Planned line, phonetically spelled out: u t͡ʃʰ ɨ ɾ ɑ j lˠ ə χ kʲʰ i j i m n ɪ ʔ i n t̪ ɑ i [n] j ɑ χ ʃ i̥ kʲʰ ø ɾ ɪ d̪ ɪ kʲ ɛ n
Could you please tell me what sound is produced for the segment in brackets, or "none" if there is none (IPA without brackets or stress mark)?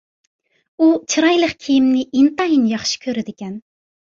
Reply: n